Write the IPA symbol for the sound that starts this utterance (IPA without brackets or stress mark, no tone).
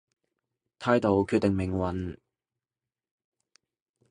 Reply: t̪ʰ